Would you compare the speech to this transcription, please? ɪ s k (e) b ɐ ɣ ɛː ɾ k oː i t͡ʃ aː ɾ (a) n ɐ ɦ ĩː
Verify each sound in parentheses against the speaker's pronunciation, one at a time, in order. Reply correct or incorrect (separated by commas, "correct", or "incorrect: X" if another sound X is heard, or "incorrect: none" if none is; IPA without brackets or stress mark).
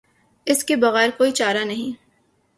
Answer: correct, correct